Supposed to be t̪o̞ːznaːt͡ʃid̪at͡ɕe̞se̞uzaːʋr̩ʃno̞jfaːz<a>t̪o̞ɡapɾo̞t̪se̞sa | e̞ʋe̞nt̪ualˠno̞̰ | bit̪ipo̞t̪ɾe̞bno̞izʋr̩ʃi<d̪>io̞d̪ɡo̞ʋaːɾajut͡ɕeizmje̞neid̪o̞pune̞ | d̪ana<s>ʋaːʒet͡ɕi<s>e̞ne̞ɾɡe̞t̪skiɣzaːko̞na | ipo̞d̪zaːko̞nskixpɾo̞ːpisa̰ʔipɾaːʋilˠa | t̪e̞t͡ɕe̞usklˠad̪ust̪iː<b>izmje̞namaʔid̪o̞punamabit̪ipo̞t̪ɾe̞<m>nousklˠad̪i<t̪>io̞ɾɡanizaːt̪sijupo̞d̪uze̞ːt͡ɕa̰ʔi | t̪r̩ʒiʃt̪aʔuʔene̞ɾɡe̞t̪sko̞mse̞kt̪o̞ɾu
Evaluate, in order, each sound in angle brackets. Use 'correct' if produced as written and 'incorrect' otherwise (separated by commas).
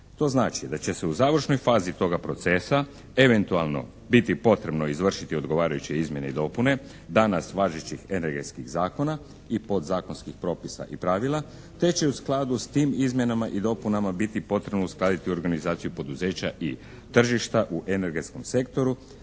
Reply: incorrect, incorrect, correct, incorrect, incorrect, incorrect, correct